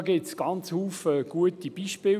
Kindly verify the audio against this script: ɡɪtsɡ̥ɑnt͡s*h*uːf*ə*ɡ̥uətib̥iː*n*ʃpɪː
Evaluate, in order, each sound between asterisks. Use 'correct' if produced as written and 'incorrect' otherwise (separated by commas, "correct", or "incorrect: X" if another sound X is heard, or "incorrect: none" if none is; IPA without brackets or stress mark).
correct, correct, incorrect: none